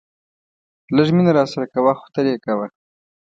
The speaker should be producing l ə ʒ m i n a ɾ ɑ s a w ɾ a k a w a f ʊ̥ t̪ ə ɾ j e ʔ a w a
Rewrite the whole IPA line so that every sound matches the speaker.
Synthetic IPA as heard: l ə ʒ m i n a ɾ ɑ s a ɾ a k a w a x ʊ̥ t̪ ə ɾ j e k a w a